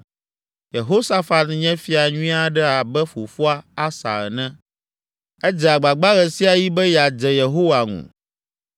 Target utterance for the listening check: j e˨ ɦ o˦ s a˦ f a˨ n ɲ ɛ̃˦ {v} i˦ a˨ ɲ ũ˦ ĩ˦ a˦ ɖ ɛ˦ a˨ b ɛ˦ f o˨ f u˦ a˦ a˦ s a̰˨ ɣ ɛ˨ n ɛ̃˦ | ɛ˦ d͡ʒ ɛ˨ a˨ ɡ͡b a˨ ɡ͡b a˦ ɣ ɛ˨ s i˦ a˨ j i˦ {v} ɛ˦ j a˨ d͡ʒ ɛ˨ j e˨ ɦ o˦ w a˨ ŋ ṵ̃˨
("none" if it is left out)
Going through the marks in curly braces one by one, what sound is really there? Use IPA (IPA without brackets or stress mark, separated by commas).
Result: f, b